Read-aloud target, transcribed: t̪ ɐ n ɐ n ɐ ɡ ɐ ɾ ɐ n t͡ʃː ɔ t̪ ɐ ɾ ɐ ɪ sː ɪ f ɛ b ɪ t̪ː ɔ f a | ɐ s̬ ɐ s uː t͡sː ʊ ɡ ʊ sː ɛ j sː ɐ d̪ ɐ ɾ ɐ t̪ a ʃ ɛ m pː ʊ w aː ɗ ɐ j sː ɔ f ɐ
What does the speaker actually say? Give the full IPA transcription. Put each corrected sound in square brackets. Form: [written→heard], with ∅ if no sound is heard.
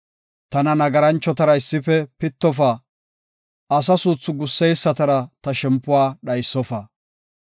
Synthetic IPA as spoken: t̪ ɐ n ɐ n ɐ ɡ ɐ ɾ ɐ n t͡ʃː ɔ t̪ ɐ ɾ ɐ ɪ sː ɪ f ɛ [b→p] ɪ t̪ː ɔ f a | ɐ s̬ ɐ s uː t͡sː ʊ ɡ ʊ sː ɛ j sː ɐ [d̪→t̪] ɐ ɾ ɐ t̪ [a→ɐ] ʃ ɛ m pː ʊ w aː ɗ ɐ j sː ɔ f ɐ

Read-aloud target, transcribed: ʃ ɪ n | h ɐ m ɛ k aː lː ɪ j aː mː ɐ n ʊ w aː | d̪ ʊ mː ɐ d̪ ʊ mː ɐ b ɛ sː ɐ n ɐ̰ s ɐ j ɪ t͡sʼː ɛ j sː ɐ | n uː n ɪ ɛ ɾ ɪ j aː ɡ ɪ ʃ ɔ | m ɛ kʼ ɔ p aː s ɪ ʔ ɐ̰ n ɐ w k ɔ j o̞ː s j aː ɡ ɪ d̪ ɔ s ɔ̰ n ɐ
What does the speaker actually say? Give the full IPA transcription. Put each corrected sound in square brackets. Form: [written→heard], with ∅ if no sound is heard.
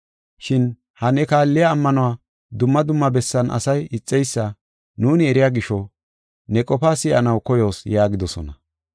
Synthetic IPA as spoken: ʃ ɪ n | h ɐ [m→n] ɛ k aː lː ɪ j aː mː ɐ n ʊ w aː | d̪ ʊ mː ɐ d̪ ʊ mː ɐ b ɛ sː ɐ n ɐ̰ s ɐ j ɪ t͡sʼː ɛ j sː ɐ | n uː n ɪ ɛ ɾ ɪ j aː ɡ ɪ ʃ ɔ | [m→n] ɛ kʼ ɔ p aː s ɪ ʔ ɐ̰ n ɐ w k ɔ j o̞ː s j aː ɡ ɪ d̪ ɔ s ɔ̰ n ɐ

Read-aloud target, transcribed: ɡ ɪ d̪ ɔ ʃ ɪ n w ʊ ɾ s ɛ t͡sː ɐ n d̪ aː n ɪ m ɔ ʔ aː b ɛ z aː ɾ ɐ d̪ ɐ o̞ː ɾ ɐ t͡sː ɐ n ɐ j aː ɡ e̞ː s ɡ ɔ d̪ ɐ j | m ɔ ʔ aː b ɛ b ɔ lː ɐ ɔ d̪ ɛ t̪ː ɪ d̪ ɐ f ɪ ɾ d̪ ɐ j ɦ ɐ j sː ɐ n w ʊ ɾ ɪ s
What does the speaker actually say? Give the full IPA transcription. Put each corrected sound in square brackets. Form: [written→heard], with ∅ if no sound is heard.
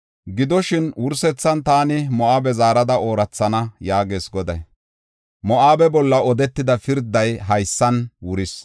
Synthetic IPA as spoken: ɡ ɪ d̪ ɔ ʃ ɪ n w ʊ ɾ s ɛ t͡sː ɐ n [d̪→t̪] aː n ɪ m ɔ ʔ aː b ɛ z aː ɾ ɐ d̪ ɐ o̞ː ɾ ɐ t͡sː ɐ n ɐ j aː ɡ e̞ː s ɡ ɔ d̪ ɐ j | m ɔ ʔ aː b ɛ b ɔ lː ɐ ɔ d̪ ɛ t̪ː ɪ d̪ ɐ f ɪ ɾ d̪ ɐ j ɦ ɐ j sː ɐ n w ʊ ɾ ɪ s

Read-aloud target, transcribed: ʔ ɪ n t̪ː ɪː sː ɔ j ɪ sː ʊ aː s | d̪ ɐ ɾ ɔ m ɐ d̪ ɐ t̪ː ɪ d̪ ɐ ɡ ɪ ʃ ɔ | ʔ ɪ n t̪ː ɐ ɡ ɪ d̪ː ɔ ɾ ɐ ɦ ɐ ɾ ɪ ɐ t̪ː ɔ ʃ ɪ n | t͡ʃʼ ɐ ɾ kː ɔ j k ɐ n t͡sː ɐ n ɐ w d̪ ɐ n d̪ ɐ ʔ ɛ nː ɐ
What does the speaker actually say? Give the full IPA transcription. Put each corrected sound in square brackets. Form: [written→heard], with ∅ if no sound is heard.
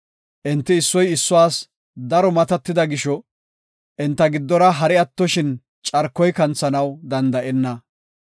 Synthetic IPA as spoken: ʔ ɪ n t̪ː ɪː sː ɔ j ɪ sː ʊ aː s | d̪ ɐ ɾ ɔ m ɐ [d̪→t̪] ɐ t̪ː ɪ d̪ ɐ ɡ ɪ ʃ ɔ | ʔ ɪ n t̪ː ɐ ɡ ɪ d̪ː ɔ ɾ ɐ ɦ ɐ ɾ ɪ ɐ t̪ː ɔ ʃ ɪ n | t͡ʃʼ ɐ ɾ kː ɔ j k ɐ n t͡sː ɐ n ɐ w d̪ ɐ n d̪ ɐ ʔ ɛ nː ɐ

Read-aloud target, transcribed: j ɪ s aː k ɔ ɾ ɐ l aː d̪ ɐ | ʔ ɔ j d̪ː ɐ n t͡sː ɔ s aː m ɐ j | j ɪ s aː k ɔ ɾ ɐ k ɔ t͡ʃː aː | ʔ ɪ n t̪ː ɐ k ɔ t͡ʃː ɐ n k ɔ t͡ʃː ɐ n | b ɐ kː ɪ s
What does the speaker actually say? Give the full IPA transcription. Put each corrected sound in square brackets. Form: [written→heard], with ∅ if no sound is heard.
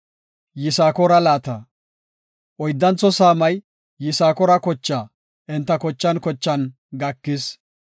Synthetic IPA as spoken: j ɪ s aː k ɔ ɾ ɐ l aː [d̪→t̪] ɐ | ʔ ɔ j d̪ː ɐ n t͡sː ɔ s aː m ɐ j | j ɪ s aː k ɔ ɾ ɐ k ɔ t͡ʃː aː | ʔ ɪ n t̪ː ɐ k ɔ t͡ʃː ɐ n k ɔ t͡ʃː ɐ n | [b→ɡ] ɐ kː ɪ s

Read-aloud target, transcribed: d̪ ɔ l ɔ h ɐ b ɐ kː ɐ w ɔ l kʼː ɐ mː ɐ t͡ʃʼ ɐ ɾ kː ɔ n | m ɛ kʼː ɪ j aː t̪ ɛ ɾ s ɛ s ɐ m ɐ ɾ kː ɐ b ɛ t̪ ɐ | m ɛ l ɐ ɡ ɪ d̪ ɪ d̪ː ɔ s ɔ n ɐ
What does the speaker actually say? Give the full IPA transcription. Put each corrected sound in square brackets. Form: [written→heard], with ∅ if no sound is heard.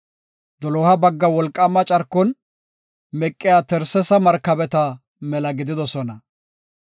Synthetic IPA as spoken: d̪ ɔ l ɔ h ɐ b ɐ [kː→ɡː] ɐ w ɔ l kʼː ɐ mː ɐ t͡ʃʼ ɐ ɾ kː ɔ n | m ɛ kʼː ɪ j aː t̪ ɛ ɾ s ɛ s ɐ m ɐ ɾ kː ɐ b ɛ t̪ ɐ | m ɛ l ɐ ɡ ɪ d̪ ɪ [d̪ː→d̪] ɔ s ɔ n ɐ

